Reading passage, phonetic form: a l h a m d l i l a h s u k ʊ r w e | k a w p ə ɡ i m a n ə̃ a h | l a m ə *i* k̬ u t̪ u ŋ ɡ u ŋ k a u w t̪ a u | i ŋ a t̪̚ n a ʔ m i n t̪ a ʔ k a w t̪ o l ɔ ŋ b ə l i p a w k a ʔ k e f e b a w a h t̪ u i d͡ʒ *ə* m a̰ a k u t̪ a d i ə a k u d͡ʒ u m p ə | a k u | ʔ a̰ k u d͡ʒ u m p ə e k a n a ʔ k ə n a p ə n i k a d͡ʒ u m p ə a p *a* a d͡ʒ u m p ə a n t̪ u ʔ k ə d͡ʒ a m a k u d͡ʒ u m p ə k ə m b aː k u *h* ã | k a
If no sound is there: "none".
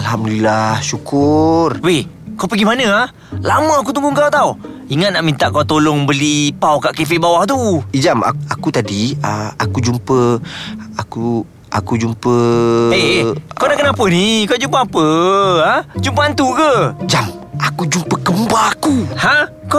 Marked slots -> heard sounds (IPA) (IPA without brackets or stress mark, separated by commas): a, a, ə, h